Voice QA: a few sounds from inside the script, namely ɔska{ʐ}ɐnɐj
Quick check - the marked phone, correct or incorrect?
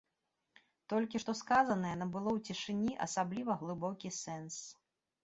incorrect: z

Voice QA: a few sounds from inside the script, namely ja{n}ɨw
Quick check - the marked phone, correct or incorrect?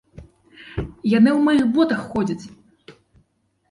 correct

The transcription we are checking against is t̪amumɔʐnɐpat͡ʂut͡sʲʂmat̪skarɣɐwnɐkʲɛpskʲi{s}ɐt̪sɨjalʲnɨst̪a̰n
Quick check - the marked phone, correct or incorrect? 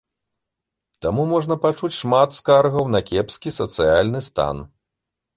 correct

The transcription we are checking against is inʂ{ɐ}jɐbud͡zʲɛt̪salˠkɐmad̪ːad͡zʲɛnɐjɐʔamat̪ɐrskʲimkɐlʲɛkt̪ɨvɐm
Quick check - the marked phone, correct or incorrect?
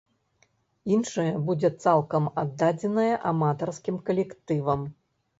correct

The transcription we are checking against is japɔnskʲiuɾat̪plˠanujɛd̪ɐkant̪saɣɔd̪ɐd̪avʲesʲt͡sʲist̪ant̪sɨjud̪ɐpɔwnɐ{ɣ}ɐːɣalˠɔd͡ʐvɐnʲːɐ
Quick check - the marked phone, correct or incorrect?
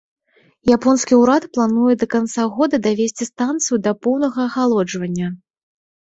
correct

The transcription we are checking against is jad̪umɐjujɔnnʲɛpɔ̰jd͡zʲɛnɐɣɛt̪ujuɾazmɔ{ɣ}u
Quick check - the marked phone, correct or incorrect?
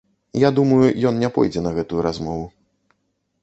incorrect: v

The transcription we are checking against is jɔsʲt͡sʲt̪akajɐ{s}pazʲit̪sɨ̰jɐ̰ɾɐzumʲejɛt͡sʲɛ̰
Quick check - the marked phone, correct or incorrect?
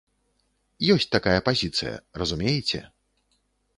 incorrect: none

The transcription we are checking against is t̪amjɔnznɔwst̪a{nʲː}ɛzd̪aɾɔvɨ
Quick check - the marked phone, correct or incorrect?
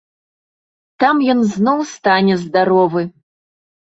incorrect: nʲ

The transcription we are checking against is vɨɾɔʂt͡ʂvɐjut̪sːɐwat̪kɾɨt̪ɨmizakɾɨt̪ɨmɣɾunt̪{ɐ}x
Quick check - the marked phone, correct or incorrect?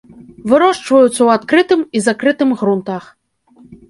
incorrect: a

